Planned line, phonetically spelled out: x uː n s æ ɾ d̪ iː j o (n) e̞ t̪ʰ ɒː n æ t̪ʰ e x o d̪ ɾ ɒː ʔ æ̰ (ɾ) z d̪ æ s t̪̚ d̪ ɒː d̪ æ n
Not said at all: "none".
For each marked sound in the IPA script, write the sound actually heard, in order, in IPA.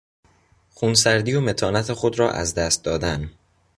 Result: m, none

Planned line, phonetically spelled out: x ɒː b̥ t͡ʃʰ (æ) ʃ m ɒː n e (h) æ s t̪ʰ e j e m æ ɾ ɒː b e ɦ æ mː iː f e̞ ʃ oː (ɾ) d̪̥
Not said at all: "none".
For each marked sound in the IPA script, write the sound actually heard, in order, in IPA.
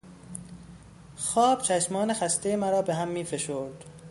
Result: æ, x, ɾ

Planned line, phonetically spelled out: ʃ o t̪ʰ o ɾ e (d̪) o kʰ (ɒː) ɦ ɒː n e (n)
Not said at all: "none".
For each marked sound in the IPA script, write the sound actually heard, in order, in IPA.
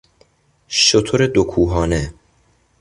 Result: d̪, uː, none

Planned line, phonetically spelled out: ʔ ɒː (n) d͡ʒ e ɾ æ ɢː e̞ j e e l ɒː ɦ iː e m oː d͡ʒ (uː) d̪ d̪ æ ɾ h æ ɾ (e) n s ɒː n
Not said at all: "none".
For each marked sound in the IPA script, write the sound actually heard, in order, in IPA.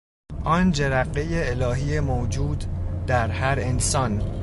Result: n, uː, e

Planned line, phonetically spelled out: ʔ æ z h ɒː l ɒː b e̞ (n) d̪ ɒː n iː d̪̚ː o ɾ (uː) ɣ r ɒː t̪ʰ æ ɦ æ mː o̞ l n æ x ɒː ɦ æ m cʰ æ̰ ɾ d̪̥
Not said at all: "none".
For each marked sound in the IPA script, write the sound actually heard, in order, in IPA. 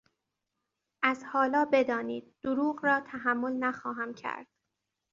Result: none, uː

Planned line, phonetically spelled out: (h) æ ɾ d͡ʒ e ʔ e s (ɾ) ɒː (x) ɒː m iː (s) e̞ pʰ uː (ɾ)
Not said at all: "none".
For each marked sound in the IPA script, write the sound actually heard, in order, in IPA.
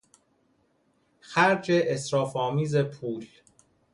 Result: x, ɾ, f, z, l

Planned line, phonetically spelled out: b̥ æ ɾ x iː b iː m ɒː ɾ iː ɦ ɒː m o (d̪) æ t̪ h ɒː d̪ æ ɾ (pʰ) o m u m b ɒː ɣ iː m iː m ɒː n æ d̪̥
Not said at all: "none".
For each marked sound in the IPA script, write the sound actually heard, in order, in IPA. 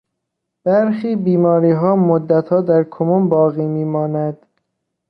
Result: d̪ː, kʰ

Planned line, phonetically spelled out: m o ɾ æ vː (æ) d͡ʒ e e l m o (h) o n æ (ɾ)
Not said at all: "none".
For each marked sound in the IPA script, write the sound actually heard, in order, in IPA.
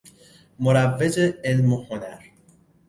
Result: e, h, ɾ

